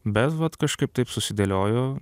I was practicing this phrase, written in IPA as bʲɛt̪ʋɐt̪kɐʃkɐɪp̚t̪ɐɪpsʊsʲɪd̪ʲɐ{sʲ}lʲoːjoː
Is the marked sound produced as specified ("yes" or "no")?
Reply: no